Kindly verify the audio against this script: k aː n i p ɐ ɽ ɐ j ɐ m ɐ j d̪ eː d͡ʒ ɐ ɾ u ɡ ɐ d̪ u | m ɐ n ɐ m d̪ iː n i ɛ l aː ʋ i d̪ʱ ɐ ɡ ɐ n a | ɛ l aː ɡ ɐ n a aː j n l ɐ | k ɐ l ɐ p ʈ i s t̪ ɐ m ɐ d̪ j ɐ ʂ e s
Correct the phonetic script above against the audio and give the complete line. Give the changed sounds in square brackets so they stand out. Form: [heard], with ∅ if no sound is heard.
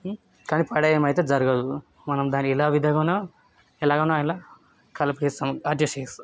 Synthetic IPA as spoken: k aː n i p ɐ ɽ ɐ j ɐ m ɐ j [t̪] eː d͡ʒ ɐ ɾ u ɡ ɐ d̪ u | m ɐ n ɐ m d̪ [aː] n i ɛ l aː ʋ i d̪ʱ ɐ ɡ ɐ n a | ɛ l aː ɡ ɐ n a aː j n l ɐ | k ɐ l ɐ p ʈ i s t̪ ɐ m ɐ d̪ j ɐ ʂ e s